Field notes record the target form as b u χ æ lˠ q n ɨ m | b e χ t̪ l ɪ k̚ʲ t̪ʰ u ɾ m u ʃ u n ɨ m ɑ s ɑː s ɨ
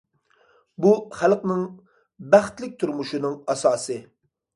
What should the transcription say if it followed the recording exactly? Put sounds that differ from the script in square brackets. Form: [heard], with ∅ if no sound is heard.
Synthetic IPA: b u χ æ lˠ q n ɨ [ŋ] | b [æ] χ t̪ l ɪ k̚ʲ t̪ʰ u ɾ m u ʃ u n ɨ [ŋ] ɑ s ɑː s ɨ